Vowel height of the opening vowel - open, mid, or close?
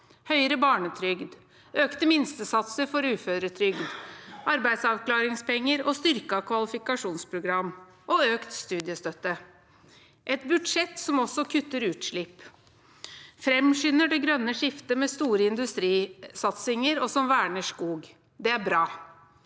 mid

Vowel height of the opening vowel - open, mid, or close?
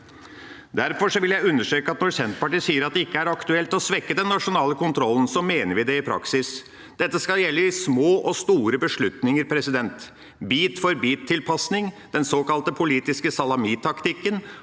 open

